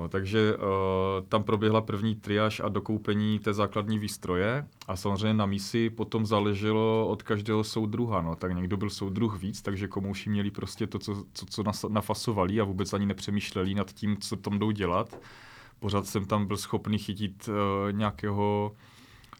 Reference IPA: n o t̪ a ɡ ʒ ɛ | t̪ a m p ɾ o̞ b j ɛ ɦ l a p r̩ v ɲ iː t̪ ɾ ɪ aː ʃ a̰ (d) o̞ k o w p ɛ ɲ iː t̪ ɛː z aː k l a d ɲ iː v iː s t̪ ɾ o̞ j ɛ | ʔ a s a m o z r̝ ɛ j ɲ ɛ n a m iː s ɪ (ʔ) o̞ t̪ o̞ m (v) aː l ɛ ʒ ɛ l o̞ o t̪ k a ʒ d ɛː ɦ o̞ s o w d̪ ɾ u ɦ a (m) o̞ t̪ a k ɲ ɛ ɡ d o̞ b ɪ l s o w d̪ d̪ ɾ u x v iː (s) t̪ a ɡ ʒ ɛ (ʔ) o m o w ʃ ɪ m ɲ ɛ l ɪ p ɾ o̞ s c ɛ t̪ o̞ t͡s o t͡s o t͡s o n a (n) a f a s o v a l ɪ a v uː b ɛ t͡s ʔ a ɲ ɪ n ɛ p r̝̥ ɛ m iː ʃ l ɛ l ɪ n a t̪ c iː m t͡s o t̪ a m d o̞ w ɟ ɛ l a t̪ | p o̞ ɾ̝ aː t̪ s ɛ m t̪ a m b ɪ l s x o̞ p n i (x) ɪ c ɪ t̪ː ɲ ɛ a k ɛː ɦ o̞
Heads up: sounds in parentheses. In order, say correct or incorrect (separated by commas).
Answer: correct, incorrect, incorrect, incorrect, incorrect, incorrect, correct, correct